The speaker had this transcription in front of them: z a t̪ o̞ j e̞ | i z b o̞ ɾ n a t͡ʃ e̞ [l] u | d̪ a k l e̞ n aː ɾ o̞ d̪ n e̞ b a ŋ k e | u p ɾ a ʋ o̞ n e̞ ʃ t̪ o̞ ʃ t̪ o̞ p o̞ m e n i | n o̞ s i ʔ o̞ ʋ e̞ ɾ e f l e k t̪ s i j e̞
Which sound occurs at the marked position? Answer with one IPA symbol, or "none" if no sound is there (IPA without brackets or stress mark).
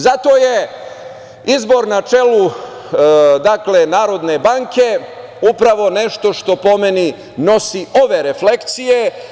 l